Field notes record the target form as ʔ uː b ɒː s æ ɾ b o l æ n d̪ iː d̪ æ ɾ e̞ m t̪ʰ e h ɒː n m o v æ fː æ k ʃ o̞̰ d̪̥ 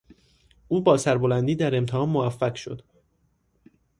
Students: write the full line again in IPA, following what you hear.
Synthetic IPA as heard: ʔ uː b ɒː s æ ɾ b o l æ n d̪ iː d̪ æ ɾ e̞ m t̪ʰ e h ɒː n m o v æ fː æ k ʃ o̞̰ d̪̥